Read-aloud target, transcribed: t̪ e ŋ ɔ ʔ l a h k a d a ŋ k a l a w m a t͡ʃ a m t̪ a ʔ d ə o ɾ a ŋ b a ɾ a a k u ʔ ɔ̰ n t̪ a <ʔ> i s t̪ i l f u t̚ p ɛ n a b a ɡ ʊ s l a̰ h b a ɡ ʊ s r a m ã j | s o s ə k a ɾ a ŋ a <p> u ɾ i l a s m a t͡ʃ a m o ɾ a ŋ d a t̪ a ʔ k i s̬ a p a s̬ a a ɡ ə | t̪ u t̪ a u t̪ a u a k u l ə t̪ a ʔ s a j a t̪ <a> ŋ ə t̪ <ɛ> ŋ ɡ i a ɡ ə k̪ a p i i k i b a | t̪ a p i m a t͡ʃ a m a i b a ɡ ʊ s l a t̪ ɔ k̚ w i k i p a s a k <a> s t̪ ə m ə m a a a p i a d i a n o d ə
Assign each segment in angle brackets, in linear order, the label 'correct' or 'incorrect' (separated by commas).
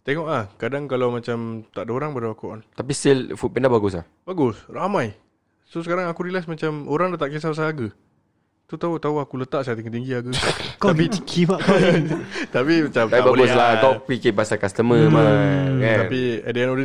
incorrect, incorrect, incorrect, incorrect, correct